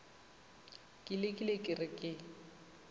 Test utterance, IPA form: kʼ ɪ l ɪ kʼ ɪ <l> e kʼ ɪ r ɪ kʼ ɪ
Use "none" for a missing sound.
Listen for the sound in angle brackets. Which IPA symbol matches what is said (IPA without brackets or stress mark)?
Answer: l